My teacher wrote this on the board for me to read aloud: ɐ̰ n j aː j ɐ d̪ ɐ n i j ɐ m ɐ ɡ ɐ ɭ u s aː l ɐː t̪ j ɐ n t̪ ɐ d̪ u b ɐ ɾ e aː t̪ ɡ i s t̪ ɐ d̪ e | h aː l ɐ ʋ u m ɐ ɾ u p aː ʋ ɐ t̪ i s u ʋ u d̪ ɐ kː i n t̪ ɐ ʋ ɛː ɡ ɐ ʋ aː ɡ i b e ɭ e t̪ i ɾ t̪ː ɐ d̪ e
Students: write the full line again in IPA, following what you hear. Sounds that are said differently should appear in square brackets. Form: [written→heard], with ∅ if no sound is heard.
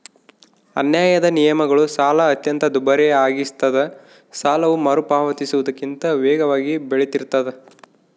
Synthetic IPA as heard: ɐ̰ n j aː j ɐ d̪ ɐ n i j ɐ m ɐ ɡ ɐ ɭ u s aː l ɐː t̪ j ɐ n t̪ ɐ d̪ u b ɐ ɾ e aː [t̪→∅] ɡ i s t̪ ɐ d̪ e | [h→s] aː l ɐ ʋ u m ɐ ɾ u p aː ʋ ɐ t̪ i s u ʋ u d̪ ɐ kː i n t̪ ɐ ʋ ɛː ɡ ɐ ʋ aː ɡ i b e ɭ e t̪ i ɾ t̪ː ɐ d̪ e

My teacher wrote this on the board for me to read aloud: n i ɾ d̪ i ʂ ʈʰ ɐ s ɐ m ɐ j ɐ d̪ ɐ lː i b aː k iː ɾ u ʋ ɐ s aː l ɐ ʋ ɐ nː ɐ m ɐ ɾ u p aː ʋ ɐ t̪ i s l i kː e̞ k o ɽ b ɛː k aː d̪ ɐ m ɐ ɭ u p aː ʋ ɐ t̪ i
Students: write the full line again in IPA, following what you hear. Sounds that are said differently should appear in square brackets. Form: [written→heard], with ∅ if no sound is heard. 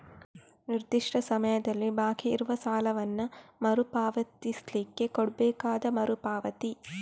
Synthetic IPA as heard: n i ɾ d̪ i ʂ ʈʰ ɐ s ɐ m ɐ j ɐ d̪ ɐ lː i b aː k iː ɾ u ʋ ɐ s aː l ɐ ʋ ɐ nː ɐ m ɐ ɾ u p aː ʋ ɐ t̪ i s l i kː e̞ k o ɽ b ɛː k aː d̪ ɐ m ɐ [ɭ→ɾ] u p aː ʋ ɐ t̪ i

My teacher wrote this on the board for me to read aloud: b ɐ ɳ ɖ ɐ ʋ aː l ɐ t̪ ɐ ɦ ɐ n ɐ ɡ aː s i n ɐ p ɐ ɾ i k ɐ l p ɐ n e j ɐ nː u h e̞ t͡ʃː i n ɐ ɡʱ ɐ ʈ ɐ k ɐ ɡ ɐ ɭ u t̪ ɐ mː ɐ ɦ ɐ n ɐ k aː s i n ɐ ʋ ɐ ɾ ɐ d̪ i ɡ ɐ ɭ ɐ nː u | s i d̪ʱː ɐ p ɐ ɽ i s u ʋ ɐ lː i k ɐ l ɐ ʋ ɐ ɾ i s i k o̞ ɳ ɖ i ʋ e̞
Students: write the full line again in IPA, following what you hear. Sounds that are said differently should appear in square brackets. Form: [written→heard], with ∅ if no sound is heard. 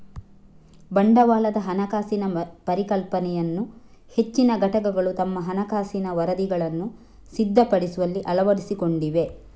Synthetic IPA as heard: b ɐ ɳ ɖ ɐ ʋ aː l ɐ [t̪→d̪] ɐ ɦ ɐ n ɐ [ɡ→k] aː s i n ɐ p ɐ ɾ i k ɐ l p ɐ n [e→ɛ] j ɐ nː u h e̞ t͡ʃː i n ɐ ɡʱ ɐ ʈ ɐ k ɐ ɡ ɐ ɭ u t̪ ɐ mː ɐ ɦ ɐ n ɐ k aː s i n ɐ ʋ ɐ ɾ ɐ d̪ i ɡ ɐ ɭ ɐ nː u | s i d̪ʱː ɐ p ɐ ɽ i s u ʋ ɐ lː i [k→ʔ] ɐ l ɐ ʋ ɐ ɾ i s i k o̞ ɳ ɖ i ʋ e̞

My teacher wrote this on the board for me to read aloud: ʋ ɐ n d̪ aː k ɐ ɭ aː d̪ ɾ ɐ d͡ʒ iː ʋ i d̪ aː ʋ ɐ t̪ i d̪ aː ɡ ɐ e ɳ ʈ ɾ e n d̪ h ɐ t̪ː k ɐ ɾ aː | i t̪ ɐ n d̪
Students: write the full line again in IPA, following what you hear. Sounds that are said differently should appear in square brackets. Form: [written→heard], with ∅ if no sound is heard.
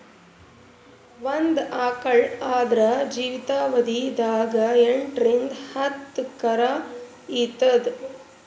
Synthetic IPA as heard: ʋ ɐ n d̪ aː k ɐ ɭ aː d̪ ɾ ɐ d͡ʒ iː ʋ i [d̪→t̪] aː ʋ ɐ [t̪→d̪] i d̪ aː ɡ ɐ e ɳ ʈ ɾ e n d̪ h ɐ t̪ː k ɐ ɾ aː | i t̪ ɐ [n→∅] d̪

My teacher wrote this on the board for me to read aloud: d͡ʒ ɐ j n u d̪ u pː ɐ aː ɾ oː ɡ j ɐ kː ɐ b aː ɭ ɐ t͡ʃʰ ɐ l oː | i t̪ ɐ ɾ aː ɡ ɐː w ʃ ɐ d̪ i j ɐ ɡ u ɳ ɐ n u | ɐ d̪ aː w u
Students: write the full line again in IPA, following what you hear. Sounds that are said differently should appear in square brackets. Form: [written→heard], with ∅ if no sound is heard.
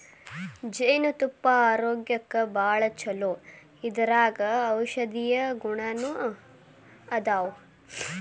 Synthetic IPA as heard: d͡ʒ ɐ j n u [d̪→t̪] u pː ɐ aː ɾ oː ɡ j ɐ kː ɐ b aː ɭ ɐ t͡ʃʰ ɐ l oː | i [t̪→d̪] ɐ ɾ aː ɡ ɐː w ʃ ɐ d̪ i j ɐ ɡ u ɳ ɐ n u | ɐ d̪ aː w u

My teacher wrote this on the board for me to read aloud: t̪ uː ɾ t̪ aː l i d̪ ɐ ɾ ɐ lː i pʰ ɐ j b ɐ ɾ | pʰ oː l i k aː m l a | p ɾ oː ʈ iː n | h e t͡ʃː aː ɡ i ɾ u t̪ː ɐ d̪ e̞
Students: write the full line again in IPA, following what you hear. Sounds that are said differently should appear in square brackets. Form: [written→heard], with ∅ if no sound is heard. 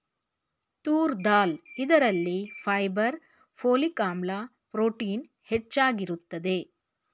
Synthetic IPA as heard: t̪ uː ɾ [t̪→d̪] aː l i d̪ ɐ ɾ ɐ lː i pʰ ɐ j b ɐ ɾ | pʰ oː l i k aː m l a | p ɾ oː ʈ iː n | h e t͡ʃː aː ɡ i ɾ u t̪ː ɐ d̪ e̞

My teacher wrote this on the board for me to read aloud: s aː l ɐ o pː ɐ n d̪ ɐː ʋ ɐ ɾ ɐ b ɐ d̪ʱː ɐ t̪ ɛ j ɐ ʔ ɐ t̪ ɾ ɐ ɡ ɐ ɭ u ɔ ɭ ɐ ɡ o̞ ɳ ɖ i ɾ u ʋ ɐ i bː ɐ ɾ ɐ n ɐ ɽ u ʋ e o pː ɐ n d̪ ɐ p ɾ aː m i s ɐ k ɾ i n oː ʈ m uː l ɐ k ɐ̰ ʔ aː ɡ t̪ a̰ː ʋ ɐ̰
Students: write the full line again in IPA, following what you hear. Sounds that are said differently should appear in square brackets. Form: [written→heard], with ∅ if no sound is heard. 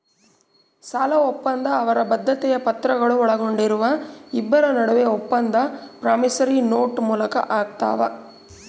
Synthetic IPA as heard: s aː l ɐ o pː ɐ n d̪ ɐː ʋ ɐ ɾ ɐ b ɐ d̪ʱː ɐ t̪ ɛ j ɐ [ʔ→p] ɐ t̪ ɾ ɐ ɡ ɐ ɭ u ɔ ɭ ɐ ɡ o̞ ɳ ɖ i ɾ u ʋ ɐ i bː ɐ ɾ ɐ n ɐ ɽ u ʋ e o pː ɐ n d̪ ɐ p ɾ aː m i s ɐ [k→∅] ɾ i n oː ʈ m uː l ɐ k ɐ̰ ʔ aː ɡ t̪ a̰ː ʋ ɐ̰

